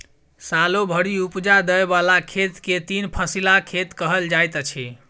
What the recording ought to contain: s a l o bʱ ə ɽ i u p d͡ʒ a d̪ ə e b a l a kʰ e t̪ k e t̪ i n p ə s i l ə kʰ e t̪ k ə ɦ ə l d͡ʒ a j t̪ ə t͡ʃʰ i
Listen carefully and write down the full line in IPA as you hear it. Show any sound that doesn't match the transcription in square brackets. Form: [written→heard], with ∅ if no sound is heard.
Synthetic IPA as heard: s a l o bʱ ə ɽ i u p d͡ʒ a d̪ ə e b a l a kʰ e t̪ k e t̪ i n [p→pʰ] ə s i l [ə→a] kʰ e t̪ k ə ɦ ə l d͡ʒ a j t̪ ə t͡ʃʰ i